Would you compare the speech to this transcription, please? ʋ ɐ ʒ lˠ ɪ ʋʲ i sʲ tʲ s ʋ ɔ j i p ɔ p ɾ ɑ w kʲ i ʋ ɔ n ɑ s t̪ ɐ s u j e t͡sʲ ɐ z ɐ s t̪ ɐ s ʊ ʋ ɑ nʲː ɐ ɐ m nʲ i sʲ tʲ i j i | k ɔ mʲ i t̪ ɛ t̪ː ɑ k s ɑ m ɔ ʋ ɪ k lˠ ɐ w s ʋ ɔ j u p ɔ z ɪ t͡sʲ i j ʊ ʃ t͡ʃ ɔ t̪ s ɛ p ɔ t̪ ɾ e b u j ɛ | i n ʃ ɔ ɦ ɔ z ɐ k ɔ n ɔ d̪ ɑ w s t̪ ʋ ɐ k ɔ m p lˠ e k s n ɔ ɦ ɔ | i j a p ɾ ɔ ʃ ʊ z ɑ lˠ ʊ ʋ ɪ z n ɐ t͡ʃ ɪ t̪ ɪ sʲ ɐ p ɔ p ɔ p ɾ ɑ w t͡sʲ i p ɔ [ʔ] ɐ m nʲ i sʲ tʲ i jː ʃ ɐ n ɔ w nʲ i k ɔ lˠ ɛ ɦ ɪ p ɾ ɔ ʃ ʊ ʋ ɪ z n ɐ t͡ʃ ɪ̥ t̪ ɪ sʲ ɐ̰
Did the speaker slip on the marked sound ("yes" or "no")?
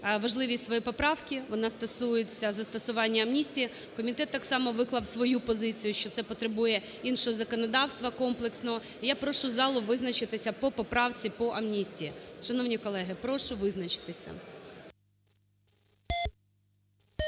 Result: no